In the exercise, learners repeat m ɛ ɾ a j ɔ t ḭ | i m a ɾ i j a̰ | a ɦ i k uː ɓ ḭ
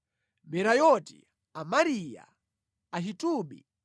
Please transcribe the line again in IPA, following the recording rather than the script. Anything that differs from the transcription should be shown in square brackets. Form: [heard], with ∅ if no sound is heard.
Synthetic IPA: m ɛ ɾ a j ɔ t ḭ | [a] m a ɾ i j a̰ | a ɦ i [t] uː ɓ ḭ